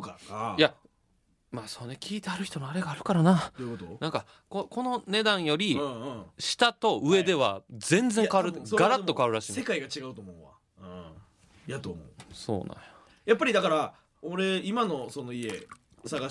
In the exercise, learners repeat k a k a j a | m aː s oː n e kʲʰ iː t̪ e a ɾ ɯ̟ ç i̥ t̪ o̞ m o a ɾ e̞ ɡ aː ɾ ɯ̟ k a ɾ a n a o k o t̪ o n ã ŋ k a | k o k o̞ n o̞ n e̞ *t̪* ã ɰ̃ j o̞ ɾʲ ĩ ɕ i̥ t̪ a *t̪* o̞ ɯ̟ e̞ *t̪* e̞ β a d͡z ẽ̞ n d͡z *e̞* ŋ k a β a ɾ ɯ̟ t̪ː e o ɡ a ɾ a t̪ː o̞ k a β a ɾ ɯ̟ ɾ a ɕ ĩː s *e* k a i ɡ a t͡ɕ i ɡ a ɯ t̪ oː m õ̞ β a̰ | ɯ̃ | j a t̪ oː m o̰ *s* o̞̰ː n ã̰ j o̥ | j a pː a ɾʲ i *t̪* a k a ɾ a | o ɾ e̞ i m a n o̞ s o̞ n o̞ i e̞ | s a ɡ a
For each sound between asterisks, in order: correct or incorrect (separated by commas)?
incorrect, correct, incorrect, correct, correct, correct, incorrect